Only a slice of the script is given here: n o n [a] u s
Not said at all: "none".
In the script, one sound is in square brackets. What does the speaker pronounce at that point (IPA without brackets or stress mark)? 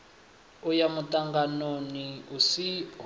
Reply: i